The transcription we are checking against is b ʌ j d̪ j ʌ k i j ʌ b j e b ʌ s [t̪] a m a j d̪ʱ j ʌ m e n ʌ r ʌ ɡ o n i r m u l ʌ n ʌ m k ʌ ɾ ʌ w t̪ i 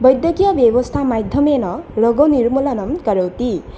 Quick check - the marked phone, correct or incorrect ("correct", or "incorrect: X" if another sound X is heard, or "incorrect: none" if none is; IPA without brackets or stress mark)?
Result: incorrect: t̪ʰ